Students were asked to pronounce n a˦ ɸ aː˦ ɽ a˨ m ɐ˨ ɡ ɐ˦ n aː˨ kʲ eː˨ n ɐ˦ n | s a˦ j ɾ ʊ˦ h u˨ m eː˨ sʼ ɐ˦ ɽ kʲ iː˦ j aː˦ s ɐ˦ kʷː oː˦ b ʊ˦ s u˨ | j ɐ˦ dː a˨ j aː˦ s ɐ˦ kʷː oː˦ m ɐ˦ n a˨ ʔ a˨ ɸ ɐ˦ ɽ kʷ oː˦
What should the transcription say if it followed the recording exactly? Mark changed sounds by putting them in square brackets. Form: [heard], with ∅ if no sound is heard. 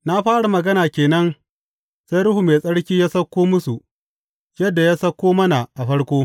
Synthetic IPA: n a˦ ɸ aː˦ ɽ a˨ m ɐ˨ ɡ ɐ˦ n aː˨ kʲ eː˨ n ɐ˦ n | s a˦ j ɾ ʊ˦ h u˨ m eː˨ sʼ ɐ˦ ɽ kʲ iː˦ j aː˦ s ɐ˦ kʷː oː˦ [m] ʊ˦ s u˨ | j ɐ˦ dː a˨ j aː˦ s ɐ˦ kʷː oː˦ m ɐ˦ n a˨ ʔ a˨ ɸ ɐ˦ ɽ kʷ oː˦